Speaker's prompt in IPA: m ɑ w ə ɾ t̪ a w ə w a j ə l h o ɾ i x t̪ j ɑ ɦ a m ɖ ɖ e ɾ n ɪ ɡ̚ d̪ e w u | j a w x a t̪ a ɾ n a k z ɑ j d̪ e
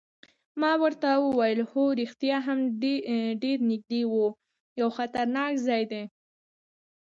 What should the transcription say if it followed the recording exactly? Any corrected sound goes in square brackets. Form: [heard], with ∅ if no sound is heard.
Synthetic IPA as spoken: m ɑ w ə ɾ t̪ a w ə w a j ə l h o ɾ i x t̪ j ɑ ɦ a m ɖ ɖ e ɾ n ɪ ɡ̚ d̪ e w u | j a w x a t̪ a ɾ n [ɑ] k z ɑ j d̪ e